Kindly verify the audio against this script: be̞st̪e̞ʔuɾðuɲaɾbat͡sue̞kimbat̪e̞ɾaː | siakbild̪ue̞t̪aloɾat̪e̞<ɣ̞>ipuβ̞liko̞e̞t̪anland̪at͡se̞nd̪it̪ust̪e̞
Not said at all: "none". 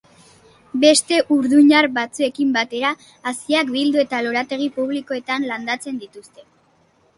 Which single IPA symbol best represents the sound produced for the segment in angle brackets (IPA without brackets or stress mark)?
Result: ɣ̞